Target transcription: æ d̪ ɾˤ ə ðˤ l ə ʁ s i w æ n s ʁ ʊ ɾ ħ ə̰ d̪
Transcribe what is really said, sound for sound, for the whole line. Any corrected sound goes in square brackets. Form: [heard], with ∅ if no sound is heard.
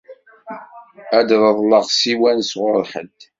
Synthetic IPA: æ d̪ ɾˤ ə ðˤ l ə ʁ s i w æ n s ʁ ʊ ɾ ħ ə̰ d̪